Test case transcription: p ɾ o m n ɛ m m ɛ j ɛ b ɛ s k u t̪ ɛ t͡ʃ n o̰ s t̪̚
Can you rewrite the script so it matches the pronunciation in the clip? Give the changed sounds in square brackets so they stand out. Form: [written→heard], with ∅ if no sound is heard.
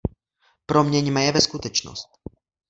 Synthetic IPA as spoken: p ɾ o m [n→ɲ] ɛ [m→ɲ] m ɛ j ɛ [b→v] ɛ s k u t̪ ɛ t͡ʃ n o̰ s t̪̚